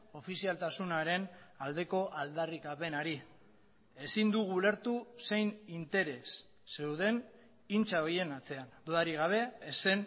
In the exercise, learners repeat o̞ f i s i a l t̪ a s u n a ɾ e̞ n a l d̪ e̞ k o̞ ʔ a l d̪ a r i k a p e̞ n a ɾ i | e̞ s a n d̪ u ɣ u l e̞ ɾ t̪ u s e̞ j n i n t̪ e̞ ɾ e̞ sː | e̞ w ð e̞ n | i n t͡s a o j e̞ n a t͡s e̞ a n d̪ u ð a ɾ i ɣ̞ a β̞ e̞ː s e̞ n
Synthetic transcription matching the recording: o̞ f i s i a l t̪ a s u n a ɾ e̞ n a l d̪ e̞ k o̞ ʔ a l d̪ a r i k a p e̞ n a ɾ i | e̞ s i n d̪ u ɣ u l e̞ ɾ t̪ u s e̞ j n i n t̪ e̞ ɾ e̞ sː | e̞ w ð e̞ n | i n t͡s a o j e̞ n a t͡s e̞ a n d̪ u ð a ɾ i ɣ̞ a β̞ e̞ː s e̞ n